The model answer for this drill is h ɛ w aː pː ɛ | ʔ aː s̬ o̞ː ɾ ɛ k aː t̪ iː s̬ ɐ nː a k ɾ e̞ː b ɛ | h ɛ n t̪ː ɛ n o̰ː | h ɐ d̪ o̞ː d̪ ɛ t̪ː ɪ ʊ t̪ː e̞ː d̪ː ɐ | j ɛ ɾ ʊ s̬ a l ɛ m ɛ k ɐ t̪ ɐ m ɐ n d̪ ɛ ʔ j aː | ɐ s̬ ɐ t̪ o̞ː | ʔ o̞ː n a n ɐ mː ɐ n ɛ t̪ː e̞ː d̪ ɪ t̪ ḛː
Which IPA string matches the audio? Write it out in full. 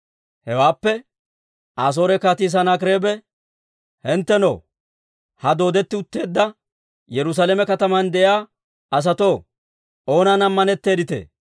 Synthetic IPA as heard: h ɛ w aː pː ɛ | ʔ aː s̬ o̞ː ɾ ɛ k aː t̪ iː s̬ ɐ n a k ɾ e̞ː b ɛ | h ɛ n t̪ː ɛ n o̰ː | h ɐ d̪ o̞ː d̪ ɛ t̪ː ɪ ʊ t̪ː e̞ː d̪ː ɐ | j ɛ ɾ ʊ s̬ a l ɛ m ɛ k ɐ t̪ ɐ m ɐ n d̪ ɛ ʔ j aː | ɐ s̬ ɐ t̪ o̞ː | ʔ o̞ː n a n ɐ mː ɐ n ɛ t̪ː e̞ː d̪ ɪ t̪ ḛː